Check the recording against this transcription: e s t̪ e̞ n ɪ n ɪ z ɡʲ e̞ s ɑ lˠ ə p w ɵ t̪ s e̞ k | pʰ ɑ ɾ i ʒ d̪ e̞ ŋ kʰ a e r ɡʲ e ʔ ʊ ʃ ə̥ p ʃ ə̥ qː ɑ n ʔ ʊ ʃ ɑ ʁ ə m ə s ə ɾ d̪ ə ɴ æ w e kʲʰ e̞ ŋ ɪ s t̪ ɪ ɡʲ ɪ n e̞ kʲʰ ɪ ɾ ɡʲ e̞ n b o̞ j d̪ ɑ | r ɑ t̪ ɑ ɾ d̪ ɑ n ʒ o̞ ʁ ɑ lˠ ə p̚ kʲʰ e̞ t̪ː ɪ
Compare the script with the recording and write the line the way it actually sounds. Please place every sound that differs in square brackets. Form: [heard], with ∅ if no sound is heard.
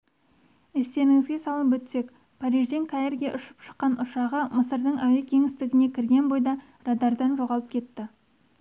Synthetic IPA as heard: e s t̪ e̞ n ɪ [ŋ] ɪ z ɡʲ e̞ s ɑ lˠ ə p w ɵ t̪ s e̞ k | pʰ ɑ ɾ i ʒ d̪ e̞ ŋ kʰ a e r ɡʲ e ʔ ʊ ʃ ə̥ p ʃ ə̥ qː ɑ n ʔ ʊ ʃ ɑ ʁ ə m ə s ə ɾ d̪ ə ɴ æ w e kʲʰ e̞ ŋ ɪ s t̪ ɪ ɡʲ ɪ n e̞ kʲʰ ɪ ɾ ɡʲ e̞ n b o̞ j d̪ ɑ | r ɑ [d̪] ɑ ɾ d̪ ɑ n ʒ o̞ ʁ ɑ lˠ ə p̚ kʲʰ e̞ t̪ː ɪ

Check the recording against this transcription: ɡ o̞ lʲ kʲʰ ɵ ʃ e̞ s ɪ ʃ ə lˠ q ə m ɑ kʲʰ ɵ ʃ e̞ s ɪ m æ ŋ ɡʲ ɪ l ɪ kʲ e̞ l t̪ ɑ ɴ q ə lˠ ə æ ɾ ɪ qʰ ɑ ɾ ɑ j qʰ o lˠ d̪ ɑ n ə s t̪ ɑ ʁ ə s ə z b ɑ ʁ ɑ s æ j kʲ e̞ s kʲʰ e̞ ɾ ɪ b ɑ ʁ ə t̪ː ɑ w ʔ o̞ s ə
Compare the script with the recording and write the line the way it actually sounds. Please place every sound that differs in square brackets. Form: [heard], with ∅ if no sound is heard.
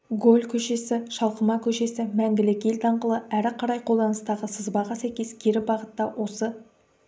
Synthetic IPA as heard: ɡ o̞ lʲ kʲʰ ɵ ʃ e̞ s ɪ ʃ [ɑ] lˠ q ə m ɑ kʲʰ ɵ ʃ e̞ s ɪ m æ ŋ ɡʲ ɪ l ɪ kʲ e̞ l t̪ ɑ ɴ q ə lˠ ə æ ɾ ɪ qʰ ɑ ɾ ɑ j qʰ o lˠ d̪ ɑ n ə s t̪ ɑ ʁ ə s ə z b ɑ ʁ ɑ s æ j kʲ e̞ s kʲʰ e̞ ɾ ɪ b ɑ ʁ ə t̪ː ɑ w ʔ o̞ s ə

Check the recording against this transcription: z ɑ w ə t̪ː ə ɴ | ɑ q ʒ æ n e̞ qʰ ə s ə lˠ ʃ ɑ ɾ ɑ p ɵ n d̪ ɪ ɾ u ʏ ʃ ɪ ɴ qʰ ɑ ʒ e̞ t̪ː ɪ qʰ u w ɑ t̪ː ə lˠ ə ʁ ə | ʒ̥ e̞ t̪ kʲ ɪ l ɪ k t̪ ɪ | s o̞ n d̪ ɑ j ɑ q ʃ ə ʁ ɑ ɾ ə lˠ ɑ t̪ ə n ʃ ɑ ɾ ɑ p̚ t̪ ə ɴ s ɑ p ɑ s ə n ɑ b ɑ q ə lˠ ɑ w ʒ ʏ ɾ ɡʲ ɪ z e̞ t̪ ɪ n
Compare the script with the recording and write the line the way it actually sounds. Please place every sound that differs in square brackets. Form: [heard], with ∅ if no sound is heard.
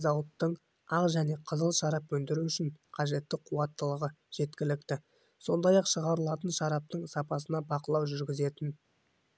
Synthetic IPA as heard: z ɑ w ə t̪ː ə ɴ | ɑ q ʒ æ n e̞ qʰ ə [z] ə lˠ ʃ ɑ ɾ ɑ p ɵ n d̪ ɪ ɾ u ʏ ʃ ɪ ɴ qʰ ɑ ʒ e̞ t̪ː ɪ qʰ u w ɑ t̪ː ə lˠ ə ʁ ə | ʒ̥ e̞ t̪ kʲ ɪ l ɪ k t̪ ɪ | s o̞ n d̪ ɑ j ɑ q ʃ ə ʁ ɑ ɾ ə lˠ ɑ t̪ ə n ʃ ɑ ɾ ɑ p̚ t̪ ə ɴ s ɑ p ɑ s ə n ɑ b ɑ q ə lˠ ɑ w ʒ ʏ ɾ ɡʲ ɪ z e̞ t̪ ɪ n

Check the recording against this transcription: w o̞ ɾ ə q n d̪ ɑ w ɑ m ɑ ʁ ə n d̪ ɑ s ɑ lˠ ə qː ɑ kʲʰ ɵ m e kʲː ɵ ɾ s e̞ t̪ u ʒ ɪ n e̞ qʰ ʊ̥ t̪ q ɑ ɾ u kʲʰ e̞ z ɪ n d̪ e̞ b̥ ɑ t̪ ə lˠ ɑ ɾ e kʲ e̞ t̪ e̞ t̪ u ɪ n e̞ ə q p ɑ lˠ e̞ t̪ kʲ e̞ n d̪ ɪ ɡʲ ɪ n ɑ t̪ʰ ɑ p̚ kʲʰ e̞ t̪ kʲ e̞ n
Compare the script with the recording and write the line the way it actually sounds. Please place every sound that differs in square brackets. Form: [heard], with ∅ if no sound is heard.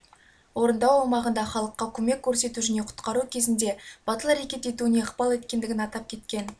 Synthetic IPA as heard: w o̞ ɾ ə [∅] n d̪ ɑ w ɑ m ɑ ʁ ə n d̪ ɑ [χ] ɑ lˠ ə qː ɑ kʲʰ ɵ m e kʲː ɵ ɾ s e̞ t̪ u ʒ ɪ n e̞ qʰ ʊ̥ t̪ q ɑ ɾ u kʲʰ e̞ z ɪ n d̪ e̞ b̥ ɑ t̪ ə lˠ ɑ ɾ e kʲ e̞ t̪ e̞ t̪ u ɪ n e̞ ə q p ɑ lˠ e̞ t̪ kʲ e̞ n d̪ ɪ ɡʲ ɪ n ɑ [t̪] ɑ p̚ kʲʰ e̞ t̪ kʲ e̞ n

